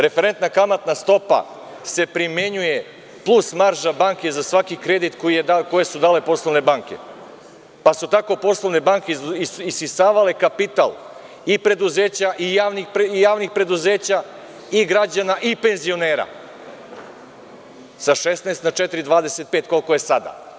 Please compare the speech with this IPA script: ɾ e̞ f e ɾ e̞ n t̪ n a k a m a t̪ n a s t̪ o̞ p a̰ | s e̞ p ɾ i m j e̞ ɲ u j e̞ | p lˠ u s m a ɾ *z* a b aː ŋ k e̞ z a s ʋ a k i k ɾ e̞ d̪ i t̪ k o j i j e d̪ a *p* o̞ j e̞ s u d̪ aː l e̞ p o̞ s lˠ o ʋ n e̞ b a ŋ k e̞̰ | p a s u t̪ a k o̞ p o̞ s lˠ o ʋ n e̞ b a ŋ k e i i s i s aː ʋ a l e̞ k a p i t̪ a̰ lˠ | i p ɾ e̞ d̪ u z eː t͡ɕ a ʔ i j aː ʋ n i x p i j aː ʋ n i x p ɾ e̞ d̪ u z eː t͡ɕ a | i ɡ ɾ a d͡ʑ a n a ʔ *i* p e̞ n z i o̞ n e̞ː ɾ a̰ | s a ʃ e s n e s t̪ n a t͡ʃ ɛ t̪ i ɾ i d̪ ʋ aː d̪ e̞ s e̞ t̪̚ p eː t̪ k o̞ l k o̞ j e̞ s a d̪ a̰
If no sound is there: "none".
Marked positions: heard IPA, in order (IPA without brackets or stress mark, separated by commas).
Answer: ʒ, k, i